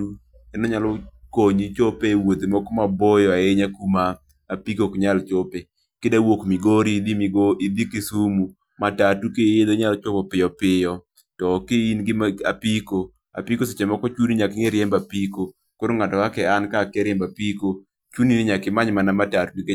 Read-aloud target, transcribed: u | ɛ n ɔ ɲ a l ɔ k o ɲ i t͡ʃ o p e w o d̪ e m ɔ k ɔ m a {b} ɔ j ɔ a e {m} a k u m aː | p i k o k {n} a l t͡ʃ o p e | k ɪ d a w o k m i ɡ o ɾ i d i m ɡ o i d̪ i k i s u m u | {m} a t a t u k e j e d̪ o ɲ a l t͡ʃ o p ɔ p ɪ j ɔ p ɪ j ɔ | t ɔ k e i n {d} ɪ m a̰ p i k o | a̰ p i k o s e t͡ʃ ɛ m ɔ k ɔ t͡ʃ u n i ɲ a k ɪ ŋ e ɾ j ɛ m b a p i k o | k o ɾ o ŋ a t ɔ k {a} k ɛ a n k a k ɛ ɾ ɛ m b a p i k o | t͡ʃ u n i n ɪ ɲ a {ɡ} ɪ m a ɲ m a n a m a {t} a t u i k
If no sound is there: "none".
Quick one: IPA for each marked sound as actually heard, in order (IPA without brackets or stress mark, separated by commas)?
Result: b, ɲ, ɲ, m, ɡ, a, k, t